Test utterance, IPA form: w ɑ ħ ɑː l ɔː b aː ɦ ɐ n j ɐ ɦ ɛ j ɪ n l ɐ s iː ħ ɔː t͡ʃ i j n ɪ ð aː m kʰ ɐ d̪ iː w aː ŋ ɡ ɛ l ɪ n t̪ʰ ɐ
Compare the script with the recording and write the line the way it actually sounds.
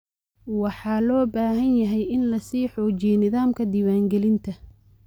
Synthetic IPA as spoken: w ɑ ħ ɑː l ɔː b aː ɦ ɐ n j ɐ ɦ ɛ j ɪ n l ɐ s iː ħ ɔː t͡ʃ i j n ɪ ð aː m kʰ ɐ d̪ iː w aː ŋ ɡ ɛ l ɪ n t̪ʰ ɐ